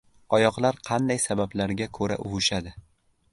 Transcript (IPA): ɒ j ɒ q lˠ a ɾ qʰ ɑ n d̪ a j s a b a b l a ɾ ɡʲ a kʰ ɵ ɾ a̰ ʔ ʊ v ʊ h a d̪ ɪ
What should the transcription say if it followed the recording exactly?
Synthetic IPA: ɒ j ɒ q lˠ a ɾ qʰ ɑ n d̪ a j s a b a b l a ɾ ɡʲ a kʰ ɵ ɾ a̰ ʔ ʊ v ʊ ʃ a d̪ ɪ